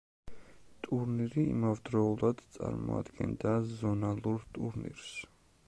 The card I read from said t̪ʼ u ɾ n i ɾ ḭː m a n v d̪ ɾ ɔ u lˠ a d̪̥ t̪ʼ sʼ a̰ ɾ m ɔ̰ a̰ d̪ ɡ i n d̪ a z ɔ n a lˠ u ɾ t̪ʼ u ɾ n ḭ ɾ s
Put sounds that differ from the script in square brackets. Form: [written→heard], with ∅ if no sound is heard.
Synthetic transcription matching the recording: t̪ʼ u ɾ n i ɾ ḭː m a [n→∅] v d̪ ɾ ɔ u lˠ a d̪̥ [t̪ʼ→t̪] sʼ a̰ ɾ m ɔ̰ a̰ d̪ ɡ [i→ɛ] n d̪ a z ɔ n a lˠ u ɾ t̪ʼ u ɾ n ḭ ɾ s